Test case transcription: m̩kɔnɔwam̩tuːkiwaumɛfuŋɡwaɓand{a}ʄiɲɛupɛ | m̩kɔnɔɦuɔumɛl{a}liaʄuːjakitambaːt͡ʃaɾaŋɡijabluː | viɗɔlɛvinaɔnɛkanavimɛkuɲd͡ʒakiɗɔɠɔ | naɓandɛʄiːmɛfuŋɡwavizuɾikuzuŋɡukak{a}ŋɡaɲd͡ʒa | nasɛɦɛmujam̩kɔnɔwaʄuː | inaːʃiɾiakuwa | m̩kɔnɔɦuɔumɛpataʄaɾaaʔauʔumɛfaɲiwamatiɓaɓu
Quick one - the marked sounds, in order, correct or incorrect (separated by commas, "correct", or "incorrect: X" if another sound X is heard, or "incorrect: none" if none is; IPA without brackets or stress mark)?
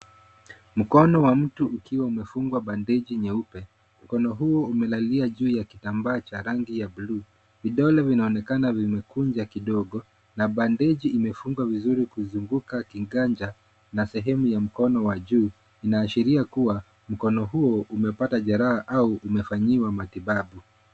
incorrect: ɛ, correct, incorrect: i